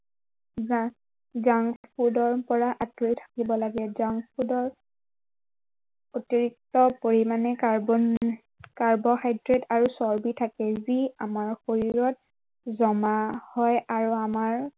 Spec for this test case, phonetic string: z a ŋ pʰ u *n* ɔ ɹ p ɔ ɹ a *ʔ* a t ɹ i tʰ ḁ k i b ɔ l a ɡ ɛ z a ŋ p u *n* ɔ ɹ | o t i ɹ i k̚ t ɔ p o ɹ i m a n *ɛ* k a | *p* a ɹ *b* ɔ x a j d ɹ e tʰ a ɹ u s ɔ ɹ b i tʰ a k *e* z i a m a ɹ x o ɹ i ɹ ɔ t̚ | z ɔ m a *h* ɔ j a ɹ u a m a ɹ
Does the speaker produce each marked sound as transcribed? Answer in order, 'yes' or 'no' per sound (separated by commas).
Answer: no, yes, no, yes, no, yes, no, yes